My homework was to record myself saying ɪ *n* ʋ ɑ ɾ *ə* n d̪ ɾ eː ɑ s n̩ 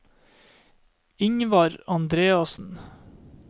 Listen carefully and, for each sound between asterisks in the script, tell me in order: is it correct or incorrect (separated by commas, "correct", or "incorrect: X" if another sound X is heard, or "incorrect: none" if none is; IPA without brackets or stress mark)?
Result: incorrect: ŋ, incorrect: ɑ